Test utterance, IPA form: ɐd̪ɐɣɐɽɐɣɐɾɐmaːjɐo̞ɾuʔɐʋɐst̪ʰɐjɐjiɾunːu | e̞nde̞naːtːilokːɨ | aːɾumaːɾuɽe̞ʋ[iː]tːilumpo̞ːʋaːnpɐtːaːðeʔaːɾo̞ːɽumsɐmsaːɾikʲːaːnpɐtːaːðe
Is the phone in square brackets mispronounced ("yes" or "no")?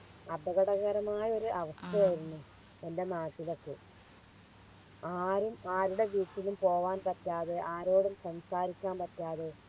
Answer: no